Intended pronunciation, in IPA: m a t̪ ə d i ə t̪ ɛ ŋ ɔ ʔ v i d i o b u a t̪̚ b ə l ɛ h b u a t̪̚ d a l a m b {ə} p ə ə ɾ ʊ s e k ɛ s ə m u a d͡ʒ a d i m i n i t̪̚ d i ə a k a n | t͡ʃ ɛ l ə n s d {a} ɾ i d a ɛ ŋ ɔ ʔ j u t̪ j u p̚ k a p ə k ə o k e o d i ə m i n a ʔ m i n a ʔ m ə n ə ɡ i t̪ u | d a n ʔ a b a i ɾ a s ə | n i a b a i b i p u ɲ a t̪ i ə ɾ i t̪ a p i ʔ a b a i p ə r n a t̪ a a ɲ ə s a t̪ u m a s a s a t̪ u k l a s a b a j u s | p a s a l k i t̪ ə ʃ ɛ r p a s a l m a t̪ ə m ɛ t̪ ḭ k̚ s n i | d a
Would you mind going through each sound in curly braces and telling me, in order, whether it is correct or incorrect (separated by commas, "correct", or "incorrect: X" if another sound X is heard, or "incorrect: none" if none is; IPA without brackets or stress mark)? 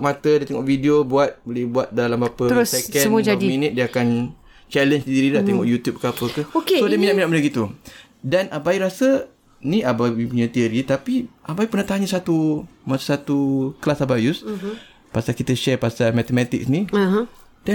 incorrect: a, incorrect: i